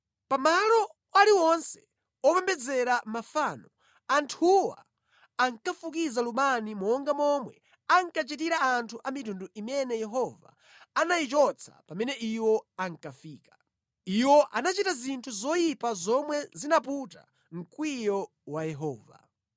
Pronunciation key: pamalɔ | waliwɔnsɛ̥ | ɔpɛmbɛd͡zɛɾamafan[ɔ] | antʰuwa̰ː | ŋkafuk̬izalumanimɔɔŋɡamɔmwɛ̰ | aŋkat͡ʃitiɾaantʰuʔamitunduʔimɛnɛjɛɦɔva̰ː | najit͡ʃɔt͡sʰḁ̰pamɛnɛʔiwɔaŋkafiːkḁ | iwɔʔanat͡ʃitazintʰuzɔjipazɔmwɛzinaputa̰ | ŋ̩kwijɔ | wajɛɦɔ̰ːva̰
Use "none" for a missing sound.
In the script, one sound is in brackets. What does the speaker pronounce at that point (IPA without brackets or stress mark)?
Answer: ɔ